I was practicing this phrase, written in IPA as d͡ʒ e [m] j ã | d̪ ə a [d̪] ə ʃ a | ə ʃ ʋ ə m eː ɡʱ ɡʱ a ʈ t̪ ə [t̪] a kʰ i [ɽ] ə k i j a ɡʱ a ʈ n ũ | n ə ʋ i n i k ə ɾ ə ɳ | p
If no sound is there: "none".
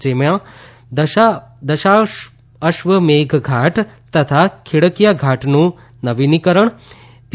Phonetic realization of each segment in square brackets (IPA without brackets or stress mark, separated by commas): m, d̪, t̪ʰ, ɽ